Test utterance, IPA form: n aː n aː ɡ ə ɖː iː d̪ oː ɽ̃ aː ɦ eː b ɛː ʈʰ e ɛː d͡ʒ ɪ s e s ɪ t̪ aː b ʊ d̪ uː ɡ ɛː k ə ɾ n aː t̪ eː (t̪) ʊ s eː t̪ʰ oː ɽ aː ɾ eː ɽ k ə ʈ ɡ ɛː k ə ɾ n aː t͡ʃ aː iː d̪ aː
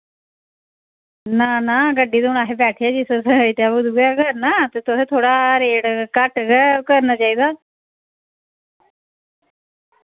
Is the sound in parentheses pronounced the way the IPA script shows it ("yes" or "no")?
yes